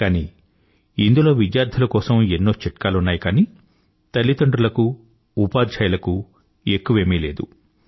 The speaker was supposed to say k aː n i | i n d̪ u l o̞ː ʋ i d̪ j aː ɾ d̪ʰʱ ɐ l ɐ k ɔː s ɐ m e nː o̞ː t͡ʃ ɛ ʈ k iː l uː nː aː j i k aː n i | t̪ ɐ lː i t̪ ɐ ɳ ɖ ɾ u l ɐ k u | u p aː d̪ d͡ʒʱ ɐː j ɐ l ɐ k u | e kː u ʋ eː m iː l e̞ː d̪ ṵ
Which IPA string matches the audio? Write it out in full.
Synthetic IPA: k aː n i | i n d̪ u l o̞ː ʋ i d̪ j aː ɾ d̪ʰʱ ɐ l ɐ k ɔː s ɐ m e nː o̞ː t͡ʃ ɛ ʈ k aː l u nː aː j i k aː n i | t̪ ɐ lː i t̪ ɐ ɳ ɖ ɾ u l ɐ k u | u p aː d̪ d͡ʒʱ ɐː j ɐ l ɐ k u | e kː u ʋ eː m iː l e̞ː d̪ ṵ